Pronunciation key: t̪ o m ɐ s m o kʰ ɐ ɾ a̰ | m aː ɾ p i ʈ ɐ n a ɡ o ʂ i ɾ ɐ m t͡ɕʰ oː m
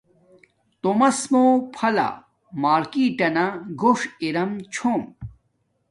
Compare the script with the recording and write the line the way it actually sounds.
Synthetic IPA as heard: t̪ o m ɐ s m o pʰ ɐ l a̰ | m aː ɾ k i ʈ ɐ n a ɡ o ʂ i ɾ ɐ m t͡ɕʰ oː m